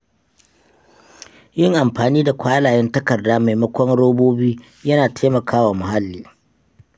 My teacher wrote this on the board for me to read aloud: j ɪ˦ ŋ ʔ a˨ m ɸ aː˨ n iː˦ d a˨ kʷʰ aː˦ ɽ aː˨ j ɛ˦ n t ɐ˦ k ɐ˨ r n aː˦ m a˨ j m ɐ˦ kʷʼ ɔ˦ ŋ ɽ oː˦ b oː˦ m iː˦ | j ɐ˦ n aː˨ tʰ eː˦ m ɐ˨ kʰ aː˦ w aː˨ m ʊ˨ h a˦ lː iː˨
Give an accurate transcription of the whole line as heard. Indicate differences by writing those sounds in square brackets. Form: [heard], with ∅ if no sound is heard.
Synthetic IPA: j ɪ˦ ŋ ʔ a˨ m ɸ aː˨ n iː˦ d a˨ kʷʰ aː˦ [l] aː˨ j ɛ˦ n t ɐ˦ k ɐ˨ r [d] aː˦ m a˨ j m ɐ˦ [kʷ] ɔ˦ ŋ ɽ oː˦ b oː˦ [b] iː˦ | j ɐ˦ n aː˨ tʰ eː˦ m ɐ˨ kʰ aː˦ w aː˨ m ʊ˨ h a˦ lː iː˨